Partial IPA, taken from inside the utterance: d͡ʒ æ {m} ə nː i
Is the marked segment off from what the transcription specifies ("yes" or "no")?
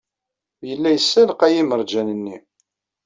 yes